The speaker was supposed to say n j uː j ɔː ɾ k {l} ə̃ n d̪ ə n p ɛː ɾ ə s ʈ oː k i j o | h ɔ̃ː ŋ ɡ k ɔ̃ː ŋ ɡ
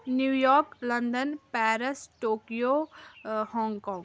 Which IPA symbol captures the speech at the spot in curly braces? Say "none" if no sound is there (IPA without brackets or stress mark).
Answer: l